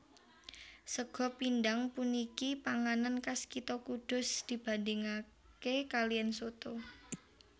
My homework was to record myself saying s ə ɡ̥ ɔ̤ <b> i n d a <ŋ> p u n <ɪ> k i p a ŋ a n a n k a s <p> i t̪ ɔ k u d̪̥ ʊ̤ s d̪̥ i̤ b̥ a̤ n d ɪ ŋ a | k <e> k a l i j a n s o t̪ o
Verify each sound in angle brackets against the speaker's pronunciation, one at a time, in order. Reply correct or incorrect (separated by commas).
incorrect, correct, incorrect, incorrect, correct